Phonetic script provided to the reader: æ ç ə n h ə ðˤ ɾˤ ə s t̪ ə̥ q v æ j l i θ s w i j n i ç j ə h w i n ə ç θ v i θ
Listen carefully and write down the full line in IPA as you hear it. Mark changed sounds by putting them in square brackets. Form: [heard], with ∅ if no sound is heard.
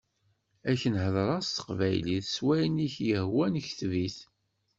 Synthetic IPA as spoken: æ ç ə n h ə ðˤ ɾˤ [ɑ] s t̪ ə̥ q v æ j l i θ s w [æ] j n i ç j ə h w [æ] n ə ç θ v i θ